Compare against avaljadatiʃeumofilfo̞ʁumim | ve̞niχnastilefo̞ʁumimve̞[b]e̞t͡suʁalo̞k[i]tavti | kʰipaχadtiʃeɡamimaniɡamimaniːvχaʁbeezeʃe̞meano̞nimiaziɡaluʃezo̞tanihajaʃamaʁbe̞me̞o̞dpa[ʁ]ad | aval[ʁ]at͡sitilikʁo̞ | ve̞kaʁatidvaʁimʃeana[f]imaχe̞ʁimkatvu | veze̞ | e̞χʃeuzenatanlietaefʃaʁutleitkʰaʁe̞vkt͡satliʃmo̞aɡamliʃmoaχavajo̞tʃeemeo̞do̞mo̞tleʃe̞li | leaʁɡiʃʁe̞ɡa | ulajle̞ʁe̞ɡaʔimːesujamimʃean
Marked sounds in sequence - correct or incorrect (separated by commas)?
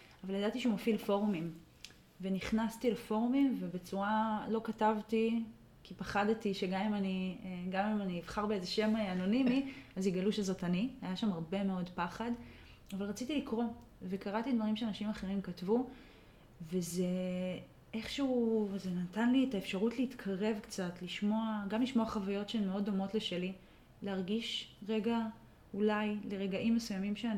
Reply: correct, incorrect, incorrect, correct, incorrect